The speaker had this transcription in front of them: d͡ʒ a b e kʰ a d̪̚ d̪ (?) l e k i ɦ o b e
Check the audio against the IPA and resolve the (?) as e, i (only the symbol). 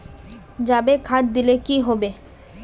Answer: i